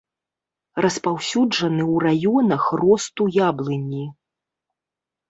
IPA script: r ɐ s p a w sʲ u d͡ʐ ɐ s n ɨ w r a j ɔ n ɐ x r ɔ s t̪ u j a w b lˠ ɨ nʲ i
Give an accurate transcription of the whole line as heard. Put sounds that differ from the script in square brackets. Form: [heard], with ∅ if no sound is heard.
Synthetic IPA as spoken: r ɐ s p a w sʲ u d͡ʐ ɐ [∅] n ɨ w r a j ɔ n ɐ x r ɔ s t̪ u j a [∅] b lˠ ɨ nʲ i